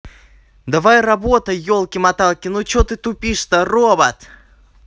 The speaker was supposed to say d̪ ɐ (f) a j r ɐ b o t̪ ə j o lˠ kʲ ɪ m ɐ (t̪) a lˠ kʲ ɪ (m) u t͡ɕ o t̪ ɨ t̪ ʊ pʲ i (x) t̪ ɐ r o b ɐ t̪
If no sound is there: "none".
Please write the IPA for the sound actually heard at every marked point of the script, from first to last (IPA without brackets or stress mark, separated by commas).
v, t̪, n, ʂ